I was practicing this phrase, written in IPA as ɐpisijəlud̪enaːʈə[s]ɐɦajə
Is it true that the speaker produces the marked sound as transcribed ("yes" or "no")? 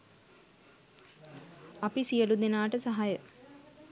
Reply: yes